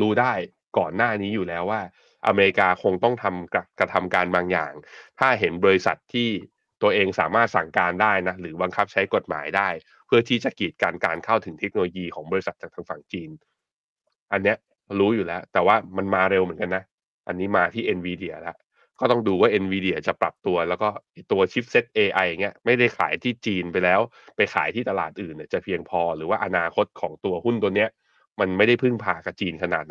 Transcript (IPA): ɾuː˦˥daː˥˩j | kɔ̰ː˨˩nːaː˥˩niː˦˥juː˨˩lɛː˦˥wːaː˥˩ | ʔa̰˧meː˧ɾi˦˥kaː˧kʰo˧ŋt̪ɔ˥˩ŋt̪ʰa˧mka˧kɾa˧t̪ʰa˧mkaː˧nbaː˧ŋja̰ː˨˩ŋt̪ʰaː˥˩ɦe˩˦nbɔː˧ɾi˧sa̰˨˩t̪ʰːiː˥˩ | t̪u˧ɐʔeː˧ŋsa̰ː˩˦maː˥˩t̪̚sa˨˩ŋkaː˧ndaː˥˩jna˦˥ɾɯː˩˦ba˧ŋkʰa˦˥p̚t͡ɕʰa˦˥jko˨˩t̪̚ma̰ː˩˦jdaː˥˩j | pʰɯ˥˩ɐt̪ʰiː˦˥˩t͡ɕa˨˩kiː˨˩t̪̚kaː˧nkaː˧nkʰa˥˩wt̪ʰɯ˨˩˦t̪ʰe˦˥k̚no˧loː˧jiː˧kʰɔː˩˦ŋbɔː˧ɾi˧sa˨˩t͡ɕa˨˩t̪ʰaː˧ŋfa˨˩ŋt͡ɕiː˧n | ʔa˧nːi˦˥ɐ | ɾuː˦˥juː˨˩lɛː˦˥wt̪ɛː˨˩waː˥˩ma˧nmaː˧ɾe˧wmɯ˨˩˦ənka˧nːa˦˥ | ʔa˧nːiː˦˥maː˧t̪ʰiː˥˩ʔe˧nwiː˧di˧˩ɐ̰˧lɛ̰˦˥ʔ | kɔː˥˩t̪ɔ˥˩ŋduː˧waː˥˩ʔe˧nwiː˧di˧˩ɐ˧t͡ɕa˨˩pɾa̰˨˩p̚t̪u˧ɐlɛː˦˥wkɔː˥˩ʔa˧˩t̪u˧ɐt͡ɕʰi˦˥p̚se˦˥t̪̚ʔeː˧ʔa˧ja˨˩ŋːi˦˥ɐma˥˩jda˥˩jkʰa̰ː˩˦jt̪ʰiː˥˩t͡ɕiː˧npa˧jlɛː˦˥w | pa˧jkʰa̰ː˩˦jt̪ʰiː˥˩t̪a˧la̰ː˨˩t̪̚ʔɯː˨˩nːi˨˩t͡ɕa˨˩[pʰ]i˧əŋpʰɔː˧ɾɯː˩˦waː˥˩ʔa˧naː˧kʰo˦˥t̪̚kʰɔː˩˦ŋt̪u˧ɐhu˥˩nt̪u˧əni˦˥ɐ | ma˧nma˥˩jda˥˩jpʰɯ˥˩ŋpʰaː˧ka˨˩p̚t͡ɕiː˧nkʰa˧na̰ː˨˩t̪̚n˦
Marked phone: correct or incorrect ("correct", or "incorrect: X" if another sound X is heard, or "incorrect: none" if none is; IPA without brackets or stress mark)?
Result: correct